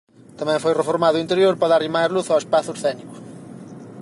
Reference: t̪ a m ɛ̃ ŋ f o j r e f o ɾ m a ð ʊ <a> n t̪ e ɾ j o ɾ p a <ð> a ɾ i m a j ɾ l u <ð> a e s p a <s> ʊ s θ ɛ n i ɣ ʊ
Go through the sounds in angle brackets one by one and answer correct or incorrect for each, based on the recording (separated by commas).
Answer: incorrect, correct, incorrect, incorrect